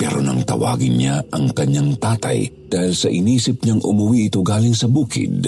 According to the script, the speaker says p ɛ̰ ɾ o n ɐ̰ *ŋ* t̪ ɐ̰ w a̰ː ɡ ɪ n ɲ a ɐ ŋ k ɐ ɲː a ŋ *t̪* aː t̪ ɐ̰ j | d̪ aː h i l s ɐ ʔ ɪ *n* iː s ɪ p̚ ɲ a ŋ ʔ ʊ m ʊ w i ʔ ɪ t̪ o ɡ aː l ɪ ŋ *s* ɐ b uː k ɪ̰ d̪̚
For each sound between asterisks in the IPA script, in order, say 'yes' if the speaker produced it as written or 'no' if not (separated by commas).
yes, yes, yes, yes